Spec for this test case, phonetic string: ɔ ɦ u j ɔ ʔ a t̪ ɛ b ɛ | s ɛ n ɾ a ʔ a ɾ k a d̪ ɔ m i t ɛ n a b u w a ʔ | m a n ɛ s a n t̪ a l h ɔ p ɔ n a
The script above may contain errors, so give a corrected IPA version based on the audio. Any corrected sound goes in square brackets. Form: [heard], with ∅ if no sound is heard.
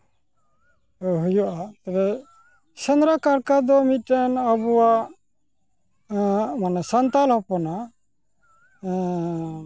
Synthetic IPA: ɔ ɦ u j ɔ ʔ a t̪ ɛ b ɛ | s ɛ n ɾ a [k] a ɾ k a d̪ ɔ m i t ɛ n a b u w a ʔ | m a n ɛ s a n t̪ a l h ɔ p ɔ n a